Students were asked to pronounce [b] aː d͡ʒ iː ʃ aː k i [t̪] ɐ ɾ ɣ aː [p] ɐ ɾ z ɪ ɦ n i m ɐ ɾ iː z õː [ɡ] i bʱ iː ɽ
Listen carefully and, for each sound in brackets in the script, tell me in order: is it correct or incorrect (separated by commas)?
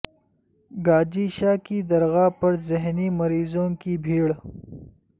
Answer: incorrect, incorrect, correct, incorrect